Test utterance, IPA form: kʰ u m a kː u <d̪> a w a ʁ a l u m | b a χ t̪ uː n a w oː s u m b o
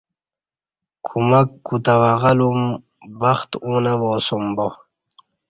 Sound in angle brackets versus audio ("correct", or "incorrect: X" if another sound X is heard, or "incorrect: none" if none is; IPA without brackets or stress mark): incorrect: t̪